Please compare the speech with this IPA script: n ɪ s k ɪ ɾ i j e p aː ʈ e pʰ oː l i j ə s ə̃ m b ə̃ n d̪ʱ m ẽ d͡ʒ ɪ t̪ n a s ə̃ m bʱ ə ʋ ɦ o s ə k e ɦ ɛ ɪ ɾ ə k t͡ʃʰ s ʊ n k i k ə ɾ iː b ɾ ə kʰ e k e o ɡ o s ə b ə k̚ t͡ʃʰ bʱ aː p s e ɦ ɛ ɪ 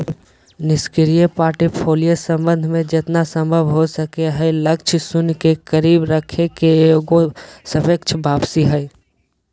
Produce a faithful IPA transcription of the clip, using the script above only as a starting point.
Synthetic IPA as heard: n ɪ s k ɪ ɾ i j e p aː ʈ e pʰ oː l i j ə s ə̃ m b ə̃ n d̪ʱ m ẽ d͡ʒ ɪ t̪ n a s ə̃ m bʱ ə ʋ ɦ o s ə k e ɦ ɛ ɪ l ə k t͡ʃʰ s ʊ n k e k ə ɾ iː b ɾ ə kʰ e k e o ɡ o s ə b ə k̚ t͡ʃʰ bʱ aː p s i ɦ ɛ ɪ